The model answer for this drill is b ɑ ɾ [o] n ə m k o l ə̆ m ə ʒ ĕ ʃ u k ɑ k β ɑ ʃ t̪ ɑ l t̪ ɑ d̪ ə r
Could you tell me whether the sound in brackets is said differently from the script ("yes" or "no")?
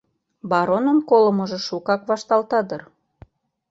no